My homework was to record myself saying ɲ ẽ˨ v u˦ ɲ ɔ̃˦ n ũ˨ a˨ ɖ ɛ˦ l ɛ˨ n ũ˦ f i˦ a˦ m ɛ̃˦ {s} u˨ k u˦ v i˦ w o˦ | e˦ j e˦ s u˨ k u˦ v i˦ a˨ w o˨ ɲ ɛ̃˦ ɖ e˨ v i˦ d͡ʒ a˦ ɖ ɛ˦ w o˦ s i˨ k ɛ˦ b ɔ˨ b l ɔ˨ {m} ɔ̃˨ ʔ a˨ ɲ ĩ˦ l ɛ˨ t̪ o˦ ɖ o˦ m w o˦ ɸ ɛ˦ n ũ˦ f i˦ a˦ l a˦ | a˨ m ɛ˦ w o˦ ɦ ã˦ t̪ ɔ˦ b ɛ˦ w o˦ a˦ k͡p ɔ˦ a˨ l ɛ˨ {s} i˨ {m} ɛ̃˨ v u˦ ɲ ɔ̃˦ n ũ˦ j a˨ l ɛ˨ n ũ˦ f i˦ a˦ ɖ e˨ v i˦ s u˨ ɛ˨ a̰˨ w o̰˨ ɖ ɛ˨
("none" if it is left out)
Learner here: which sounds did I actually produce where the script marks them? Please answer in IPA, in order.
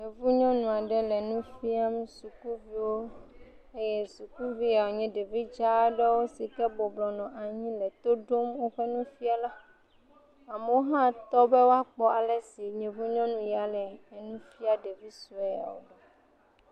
s, n, s, ɲ

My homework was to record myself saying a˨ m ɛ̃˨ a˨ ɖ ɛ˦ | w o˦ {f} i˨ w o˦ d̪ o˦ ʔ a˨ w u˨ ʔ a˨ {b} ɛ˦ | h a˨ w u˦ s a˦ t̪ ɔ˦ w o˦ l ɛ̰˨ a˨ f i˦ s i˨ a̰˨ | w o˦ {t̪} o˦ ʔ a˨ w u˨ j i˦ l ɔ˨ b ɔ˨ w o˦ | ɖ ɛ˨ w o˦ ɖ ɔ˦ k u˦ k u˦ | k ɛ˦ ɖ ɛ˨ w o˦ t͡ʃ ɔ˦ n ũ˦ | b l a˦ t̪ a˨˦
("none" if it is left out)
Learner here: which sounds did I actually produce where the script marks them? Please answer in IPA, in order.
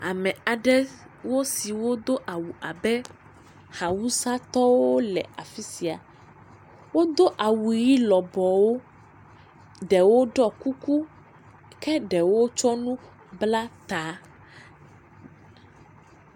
s, b, d̪

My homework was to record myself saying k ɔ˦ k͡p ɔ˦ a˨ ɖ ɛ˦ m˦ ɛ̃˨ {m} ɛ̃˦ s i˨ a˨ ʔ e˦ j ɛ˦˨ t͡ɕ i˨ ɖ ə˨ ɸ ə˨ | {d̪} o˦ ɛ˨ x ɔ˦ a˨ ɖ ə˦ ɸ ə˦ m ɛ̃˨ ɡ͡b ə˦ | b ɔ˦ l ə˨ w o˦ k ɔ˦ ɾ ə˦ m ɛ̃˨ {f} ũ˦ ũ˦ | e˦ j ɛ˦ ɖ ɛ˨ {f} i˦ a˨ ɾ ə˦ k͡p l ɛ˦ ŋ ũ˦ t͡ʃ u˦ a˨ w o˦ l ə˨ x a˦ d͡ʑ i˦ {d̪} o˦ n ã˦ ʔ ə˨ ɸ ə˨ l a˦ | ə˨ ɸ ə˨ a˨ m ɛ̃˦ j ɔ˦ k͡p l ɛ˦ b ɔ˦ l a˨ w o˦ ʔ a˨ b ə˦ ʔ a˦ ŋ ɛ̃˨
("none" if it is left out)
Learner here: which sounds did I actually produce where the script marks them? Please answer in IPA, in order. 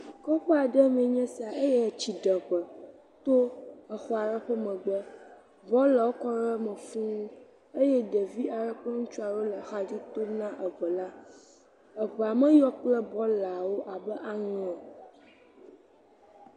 ɲ, t̪, f, v, t̪

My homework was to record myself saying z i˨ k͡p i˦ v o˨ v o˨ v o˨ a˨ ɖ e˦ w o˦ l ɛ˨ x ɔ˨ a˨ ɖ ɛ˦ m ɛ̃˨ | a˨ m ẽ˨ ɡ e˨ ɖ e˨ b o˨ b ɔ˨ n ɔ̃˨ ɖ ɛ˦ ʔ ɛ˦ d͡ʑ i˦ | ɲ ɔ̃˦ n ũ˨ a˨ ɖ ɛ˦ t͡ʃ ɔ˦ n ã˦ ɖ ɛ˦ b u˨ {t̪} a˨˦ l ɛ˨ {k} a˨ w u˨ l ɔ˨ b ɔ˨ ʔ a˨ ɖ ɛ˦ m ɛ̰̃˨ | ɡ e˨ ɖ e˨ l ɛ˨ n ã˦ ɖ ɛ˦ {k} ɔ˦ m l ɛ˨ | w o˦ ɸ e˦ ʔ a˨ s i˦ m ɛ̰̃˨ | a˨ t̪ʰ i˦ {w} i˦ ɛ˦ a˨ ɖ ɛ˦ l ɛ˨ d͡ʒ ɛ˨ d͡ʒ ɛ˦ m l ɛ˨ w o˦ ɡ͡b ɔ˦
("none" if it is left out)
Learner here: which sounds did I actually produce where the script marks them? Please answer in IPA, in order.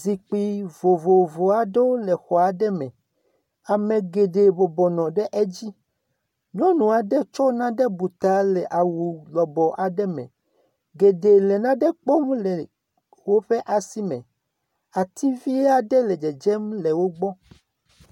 t̪, ʔ, k͡p, v

